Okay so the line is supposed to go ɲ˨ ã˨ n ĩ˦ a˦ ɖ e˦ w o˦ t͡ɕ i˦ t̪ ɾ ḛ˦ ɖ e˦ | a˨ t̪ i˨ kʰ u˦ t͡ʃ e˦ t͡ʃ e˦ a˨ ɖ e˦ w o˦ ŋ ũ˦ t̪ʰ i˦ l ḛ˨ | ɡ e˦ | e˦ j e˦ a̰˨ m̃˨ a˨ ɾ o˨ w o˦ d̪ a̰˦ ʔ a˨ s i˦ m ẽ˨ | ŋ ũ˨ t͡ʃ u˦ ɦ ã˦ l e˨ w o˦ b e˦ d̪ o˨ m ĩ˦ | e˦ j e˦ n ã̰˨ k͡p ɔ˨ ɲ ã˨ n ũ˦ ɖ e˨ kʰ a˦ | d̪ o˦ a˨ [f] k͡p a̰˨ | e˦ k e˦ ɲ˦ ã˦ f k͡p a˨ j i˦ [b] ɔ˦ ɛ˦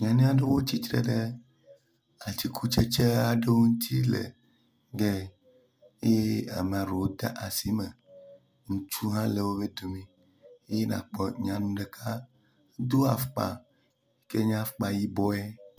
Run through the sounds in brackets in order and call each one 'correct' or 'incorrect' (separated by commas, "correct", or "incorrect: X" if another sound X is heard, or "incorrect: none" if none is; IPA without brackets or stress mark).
correct, correct